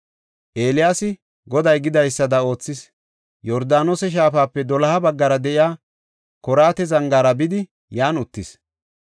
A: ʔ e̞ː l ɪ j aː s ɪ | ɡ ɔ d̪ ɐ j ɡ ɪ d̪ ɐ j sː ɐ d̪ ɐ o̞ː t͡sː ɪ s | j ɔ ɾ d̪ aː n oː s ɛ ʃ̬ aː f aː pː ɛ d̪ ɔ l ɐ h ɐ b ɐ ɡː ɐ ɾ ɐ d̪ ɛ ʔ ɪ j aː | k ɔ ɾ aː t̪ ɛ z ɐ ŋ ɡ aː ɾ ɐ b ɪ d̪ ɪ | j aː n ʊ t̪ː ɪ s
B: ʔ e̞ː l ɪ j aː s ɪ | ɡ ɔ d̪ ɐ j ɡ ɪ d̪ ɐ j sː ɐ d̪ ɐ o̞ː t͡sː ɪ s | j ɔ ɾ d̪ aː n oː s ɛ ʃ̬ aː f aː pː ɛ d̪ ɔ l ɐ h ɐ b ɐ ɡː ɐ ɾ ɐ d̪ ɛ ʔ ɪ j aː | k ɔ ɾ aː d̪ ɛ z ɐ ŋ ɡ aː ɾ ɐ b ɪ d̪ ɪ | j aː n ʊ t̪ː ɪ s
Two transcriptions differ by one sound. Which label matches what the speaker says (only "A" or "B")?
A